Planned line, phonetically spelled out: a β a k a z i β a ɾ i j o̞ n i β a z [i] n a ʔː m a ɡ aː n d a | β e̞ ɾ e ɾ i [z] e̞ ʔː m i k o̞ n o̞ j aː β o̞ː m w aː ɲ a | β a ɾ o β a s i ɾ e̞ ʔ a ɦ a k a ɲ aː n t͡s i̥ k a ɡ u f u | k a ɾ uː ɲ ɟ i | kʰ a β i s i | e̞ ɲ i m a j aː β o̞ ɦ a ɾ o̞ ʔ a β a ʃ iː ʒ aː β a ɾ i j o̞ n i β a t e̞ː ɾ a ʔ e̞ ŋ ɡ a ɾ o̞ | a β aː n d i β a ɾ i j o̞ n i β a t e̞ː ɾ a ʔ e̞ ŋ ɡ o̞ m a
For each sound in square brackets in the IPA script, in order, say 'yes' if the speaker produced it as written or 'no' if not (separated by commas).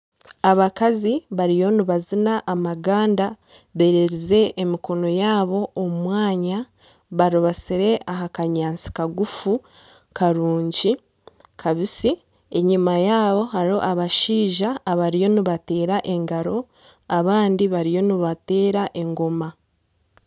yes, yes